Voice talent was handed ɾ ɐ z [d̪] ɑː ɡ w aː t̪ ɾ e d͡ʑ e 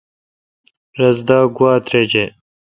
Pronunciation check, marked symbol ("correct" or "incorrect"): correct